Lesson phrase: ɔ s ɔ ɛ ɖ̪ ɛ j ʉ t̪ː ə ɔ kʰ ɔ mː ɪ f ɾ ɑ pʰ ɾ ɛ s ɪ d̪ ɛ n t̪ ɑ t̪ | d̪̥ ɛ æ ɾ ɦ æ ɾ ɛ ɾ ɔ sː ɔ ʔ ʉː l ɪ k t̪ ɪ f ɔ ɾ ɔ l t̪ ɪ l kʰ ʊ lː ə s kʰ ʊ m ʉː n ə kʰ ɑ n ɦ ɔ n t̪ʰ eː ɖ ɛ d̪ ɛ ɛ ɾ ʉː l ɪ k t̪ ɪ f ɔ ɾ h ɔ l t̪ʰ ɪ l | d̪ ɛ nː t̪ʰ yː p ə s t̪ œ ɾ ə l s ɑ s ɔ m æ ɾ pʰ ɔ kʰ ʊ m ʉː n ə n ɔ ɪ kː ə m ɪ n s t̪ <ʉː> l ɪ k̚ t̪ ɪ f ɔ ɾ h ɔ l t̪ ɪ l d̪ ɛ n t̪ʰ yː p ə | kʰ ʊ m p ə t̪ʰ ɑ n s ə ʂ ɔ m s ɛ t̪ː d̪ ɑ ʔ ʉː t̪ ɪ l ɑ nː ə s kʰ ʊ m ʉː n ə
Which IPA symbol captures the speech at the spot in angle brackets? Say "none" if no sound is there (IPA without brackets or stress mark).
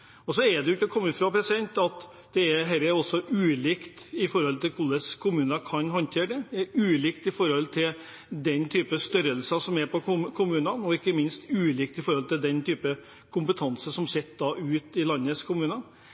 ʉː